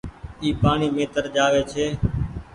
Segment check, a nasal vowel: absent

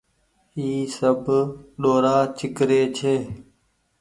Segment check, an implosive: present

